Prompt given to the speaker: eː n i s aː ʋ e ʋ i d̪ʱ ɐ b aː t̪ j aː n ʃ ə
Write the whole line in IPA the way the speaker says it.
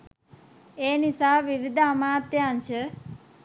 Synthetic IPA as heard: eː n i s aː ʋ i ʋ i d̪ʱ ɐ m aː t̪ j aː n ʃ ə

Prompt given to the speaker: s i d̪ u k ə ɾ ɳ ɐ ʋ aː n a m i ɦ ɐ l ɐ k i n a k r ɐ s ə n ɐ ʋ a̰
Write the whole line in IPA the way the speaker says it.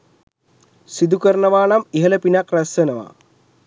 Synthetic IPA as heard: s i d̪ u k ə ɾ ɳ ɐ ʋ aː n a m i ɦ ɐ l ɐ p i n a k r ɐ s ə n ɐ ʋ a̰

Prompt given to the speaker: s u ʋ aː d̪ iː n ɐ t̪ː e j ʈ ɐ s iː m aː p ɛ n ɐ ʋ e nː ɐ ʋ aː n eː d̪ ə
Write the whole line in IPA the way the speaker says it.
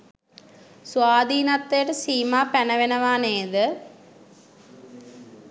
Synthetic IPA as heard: s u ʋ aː d̪ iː n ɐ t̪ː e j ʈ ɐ s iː m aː p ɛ n ɐ ʋ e n ɐ ʋ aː n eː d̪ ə

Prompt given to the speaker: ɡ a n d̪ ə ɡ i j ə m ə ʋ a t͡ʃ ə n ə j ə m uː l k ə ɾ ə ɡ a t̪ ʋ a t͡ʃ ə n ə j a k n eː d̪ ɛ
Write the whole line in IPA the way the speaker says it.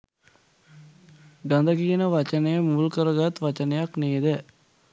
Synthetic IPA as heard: ɡ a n d̪ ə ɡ i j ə n ə ʋ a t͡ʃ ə n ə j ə m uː l k ə ɾ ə ɡ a t̪ ʋ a t͡ʃ ə n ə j a k n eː d̪ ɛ

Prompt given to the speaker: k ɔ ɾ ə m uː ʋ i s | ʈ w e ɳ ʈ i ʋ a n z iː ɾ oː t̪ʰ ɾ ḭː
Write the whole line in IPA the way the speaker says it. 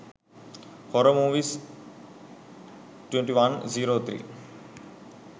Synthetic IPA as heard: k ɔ ɾ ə m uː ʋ i s | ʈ w e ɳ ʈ i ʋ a n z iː ɾ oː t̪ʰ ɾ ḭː

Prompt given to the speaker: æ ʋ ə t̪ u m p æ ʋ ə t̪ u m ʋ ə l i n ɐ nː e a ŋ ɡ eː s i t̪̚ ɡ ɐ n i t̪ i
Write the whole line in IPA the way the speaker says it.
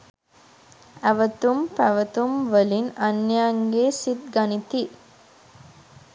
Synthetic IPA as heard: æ ʋ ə t̪ u m p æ ʋ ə t̪ u m ʋ ə l i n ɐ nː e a ŋ ɡ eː s i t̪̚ ɡ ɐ n i t̪ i

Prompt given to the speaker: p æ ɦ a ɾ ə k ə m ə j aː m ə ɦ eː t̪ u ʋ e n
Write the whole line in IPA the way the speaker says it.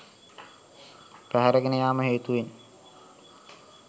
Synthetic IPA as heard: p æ ɦ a ɾ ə ɡ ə n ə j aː m ə ɦ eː t̪ u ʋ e n

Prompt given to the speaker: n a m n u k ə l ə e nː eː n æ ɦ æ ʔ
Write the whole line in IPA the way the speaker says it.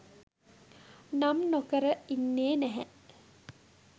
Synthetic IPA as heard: n a m n o k ə ɾ ə i nː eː n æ ɦ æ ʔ

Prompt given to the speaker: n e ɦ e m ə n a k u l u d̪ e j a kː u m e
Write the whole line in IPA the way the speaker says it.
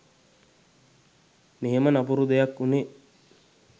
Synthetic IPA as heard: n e ɦ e m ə n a p u ɾ u d̪ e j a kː u n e

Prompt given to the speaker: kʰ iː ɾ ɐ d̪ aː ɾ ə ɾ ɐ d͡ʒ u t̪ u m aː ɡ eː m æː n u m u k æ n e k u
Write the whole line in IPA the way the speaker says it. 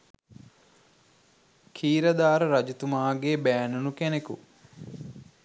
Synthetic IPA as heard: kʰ iː ɾ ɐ d̪ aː ɾ ə ɾ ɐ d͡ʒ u t̪ u m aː ɡ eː b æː n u n u k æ n e k u

